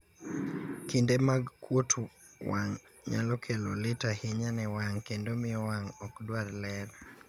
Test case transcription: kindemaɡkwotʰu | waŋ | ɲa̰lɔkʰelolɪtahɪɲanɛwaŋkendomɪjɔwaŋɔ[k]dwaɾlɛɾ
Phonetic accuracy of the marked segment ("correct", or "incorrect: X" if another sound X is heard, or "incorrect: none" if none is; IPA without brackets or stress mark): correct